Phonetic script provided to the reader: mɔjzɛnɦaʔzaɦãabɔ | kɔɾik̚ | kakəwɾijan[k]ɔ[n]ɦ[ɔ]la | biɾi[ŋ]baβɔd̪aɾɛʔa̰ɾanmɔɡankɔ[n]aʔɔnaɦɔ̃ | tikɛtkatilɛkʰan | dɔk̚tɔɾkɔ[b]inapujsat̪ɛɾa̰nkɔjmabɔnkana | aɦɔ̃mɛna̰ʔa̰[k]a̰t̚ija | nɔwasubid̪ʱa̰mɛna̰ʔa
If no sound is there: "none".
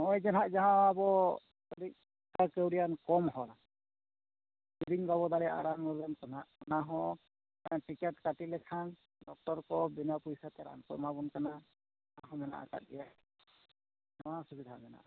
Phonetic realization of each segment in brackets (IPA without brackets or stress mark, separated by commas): k, m, ɔ, ŋ, n, b, k